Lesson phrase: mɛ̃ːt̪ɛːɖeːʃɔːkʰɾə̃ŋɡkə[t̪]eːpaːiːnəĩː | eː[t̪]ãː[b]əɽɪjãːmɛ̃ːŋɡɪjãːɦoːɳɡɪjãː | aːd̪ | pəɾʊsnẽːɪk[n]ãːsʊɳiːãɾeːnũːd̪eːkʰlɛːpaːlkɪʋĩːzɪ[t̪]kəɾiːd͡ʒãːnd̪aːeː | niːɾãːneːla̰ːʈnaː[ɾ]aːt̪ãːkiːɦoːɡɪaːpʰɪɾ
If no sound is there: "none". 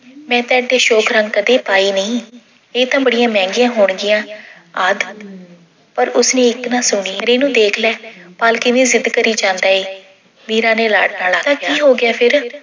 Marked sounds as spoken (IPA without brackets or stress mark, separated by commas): d̪, t̪, b, n, d̪, l